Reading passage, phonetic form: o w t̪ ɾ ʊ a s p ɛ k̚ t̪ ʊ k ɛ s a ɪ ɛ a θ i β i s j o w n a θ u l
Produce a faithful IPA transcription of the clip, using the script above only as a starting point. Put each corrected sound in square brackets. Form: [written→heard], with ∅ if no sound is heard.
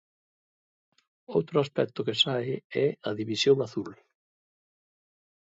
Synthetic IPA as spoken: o w t̪ ɾ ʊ a s p ɛ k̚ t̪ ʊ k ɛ s a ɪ ɛ a [θ→ð] i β i s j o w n a θ u l